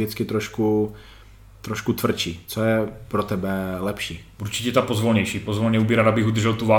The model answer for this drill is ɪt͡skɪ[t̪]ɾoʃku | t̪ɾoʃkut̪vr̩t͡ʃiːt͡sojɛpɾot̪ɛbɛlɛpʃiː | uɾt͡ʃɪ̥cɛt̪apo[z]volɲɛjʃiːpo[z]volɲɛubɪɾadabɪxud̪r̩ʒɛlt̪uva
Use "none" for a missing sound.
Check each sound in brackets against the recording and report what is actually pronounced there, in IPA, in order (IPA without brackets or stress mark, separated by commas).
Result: t̪, z, z